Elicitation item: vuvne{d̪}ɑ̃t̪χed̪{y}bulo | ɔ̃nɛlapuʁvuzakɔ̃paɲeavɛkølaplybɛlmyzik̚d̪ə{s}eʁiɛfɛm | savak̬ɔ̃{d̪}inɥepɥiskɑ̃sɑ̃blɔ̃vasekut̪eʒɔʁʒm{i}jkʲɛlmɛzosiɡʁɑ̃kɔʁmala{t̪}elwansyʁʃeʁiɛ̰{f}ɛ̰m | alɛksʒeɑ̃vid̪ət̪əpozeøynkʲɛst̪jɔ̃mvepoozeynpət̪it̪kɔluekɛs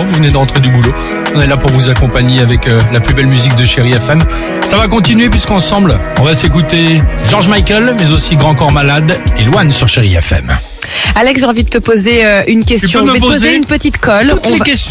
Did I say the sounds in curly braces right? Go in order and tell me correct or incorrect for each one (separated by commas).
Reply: correct, correct, incorrect, incorrect, incorrect, incorrect, correct